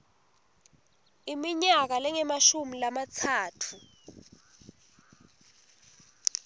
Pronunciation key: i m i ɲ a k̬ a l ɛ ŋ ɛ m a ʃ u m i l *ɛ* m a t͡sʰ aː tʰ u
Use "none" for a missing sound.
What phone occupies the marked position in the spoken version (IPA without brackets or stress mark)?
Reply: a